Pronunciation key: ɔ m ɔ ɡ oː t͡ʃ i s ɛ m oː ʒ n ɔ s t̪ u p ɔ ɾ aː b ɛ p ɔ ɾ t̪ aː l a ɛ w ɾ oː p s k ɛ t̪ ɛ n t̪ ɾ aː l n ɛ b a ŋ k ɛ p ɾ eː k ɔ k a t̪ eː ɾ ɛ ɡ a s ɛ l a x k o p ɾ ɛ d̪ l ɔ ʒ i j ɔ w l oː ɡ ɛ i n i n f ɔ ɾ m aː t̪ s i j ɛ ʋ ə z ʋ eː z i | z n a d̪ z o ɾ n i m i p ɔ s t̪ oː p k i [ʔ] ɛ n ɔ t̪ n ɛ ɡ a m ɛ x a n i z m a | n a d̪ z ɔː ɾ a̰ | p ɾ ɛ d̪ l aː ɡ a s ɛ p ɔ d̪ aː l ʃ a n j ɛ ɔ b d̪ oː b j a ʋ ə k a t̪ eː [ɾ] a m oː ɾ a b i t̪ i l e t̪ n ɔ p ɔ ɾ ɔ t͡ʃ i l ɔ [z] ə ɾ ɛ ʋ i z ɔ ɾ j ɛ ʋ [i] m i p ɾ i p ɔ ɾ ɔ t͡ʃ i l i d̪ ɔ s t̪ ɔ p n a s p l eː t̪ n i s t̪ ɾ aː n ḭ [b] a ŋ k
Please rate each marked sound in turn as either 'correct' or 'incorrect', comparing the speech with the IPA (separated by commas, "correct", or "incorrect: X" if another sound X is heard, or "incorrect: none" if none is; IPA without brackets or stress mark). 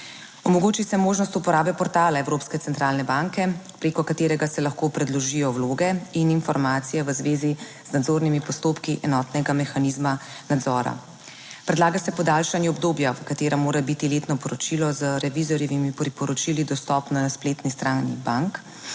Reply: correct, correct, correct, correct, correct